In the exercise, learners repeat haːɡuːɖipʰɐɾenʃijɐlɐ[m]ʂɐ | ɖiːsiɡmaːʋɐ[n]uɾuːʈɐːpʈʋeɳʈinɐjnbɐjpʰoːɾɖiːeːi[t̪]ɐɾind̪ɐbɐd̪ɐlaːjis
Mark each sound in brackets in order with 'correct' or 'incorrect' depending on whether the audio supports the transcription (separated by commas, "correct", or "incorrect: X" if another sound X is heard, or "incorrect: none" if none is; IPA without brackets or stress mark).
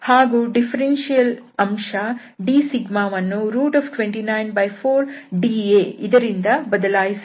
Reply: correct, incorrect: nː, incorrect: d̪